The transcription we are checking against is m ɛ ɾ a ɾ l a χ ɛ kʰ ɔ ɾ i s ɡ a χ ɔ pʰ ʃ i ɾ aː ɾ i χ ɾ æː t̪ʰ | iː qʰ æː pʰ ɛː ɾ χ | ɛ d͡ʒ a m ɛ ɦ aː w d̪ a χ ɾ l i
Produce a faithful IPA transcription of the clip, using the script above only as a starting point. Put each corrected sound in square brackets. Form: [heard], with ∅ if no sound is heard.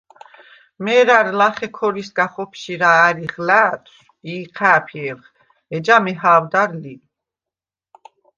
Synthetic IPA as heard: m ɛ ɾ a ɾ l a χ ɛ kʰ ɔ ɾ i s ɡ a χ ɔ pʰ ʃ i ɾ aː ɾ i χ [l] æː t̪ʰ | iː qʰ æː pʰ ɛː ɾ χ | ɛ d͡ʒ a m ɛ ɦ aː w d̪ a [∅] ɾ l i